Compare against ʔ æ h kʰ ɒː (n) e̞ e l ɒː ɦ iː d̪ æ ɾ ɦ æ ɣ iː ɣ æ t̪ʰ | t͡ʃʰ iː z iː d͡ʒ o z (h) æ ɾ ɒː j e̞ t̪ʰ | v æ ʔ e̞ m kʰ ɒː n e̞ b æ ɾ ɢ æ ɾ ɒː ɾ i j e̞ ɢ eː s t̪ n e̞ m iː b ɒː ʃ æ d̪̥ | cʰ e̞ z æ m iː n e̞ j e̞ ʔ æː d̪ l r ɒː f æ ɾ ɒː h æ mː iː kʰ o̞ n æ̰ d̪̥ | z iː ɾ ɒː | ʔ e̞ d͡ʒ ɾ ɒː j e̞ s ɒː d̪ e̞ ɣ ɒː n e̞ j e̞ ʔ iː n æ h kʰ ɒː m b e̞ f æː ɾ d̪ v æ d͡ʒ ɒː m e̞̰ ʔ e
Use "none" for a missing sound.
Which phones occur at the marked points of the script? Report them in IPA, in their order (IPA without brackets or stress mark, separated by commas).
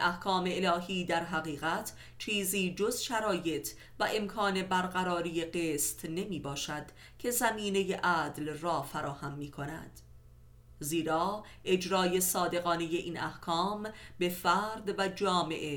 m, ʃ